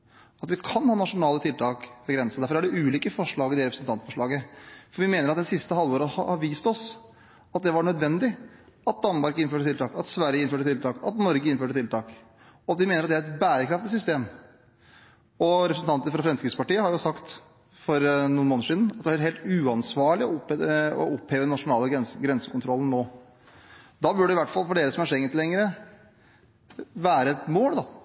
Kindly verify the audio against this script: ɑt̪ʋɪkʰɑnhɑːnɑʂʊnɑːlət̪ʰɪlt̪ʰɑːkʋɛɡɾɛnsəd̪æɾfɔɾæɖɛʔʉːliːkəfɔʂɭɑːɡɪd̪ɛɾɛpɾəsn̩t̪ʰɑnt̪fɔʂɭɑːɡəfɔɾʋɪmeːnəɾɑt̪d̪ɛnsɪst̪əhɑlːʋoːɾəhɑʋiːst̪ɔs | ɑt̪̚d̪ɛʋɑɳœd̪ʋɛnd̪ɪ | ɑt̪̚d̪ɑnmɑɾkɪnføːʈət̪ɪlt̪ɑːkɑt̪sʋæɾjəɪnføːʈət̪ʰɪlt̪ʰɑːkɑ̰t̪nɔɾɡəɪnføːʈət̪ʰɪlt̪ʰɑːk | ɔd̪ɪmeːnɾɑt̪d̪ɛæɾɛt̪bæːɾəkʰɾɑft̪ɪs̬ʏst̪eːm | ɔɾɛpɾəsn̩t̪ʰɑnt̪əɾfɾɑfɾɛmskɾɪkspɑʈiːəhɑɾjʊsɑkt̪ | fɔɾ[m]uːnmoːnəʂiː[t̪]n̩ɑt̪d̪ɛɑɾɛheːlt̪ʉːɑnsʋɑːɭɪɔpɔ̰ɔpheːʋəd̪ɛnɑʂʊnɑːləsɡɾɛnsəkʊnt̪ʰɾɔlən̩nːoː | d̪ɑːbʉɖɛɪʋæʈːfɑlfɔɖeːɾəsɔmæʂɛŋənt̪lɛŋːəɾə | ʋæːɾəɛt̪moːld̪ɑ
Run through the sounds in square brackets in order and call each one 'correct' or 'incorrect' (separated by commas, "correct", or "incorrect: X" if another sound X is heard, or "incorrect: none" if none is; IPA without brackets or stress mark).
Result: incorrect: n, incorrect: d̪